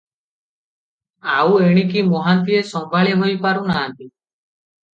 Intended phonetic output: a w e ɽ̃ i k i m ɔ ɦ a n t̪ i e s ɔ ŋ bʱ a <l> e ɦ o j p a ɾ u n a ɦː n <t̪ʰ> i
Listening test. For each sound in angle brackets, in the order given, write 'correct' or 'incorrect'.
incorrect: ɭ, incorrect: t̪

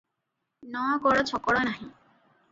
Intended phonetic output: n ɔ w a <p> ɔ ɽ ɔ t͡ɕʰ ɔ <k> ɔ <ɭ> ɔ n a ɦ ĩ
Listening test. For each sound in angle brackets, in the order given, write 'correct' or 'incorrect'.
incorrect: k, correct, incorrect: ɽ

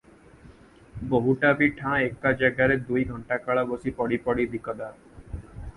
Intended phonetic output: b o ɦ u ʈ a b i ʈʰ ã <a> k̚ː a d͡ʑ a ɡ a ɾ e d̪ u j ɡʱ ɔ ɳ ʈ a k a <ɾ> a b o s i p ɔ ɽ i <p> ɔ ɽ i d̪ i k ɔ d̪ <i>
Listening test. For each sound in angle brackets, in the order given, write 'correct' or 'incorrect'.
incorrect: e, incorrect: ɭ, correct, incorrect: a

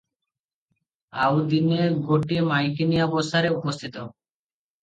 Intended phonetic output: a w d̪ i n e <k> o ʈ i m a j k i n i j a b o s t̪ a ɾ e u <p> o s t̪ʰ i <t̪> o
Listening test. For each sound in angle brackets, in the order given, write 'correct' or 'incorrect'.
incorrect: ɡ, correct, correct

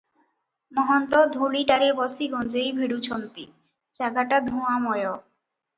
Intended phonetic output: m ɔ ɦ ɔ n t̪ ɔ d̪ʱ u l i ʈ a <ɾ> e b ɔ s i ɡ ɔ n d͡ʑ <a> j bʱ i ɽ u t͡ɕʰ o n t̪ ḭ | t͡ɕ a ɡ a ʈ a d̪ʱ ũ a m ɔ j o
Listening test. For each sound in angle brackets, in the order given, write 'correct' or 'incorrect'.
correct, incorrect: e

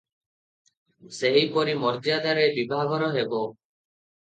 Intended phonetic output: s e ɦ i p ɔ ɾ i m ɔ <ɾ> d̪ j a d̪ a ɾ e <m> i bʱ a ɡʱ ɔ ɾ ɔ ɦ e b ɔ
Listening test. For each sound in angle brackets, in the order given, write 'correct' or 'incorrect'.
correct, incorrect: b

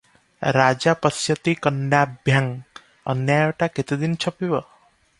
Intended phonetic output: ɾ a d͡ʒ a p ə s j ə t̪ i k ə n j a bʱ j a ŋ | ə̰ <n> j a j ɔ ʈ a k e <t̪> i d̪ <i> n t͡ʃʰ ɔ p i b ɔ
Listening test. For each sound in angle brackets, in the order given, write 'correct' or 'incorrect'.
correct, correct, correct

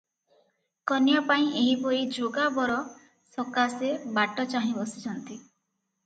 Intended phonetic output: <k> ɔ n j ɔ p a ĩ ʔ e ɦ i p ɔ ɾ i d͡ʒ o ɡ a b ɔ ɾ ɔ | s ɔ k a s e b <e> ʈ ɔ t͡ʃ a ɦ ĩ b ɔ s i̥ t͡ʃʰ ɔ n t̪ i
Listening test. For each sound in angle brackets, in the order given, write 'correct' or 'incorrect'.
correct, incorrect: a

